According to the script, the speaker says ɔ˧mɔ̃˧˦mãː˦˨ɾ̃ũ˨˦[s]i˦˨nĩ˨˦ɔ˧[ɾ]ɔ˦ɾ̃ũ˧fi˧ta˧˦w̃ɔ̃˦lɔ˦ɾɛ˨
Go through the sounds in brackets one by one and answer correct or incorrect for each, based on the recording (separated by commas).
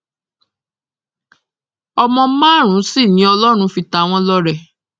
correct, incorrect